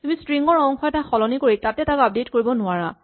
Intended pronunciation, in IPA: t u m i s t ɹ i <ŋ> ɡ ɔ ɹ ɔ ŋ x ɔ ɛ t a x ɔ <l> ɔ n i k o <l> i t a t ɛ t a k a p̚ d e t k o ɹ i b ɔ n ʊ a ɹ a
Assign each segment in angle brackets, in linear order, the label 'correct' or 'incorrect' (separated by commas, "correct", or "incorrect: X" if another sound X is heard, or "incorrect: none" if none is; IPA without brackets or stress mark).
correct, correct, incorrect: ɹ